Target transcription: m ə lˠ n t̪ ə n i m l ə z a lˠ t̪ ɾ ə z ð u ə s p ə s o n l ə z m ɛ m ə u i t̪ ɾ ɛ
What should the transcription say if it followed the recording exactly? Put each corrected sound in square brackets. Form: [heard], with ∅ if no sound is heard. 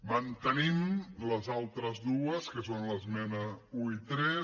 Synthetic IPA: m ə [∅] n t̪ ə n i m l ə z a lˠ t̪ ɾ ə z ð u ə s [k] ə s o n l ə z m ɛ [n] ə u i t̪ ɾ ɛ